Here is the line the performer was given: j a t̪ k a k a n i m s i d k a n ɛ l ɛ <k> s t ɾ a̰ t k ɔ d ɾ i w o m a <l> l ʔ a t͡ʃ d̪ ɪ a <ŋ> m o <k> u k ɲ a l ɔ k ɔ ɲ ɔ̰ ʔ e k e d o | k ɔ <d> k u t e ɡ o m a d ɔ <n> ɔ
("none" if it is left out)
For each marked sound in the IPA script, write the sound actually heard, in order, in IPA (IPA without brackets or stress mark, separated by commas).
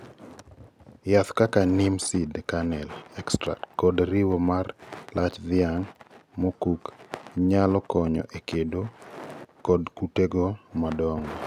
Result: k, r, ŋ, k, d, ŋ